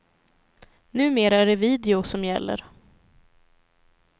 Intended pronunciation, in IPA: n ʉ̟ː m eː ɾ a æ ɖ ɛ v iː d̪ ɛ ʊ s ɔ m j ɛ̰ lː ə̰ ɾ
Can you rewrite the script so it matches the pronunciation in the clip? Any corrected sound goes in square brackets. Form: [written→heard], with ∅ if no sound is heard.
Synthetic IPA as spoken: n ʉ̟ː m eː ɾ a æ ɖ ɛ v iː d̪ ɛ ʊ s ɔ m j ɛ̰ lː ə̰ ɾ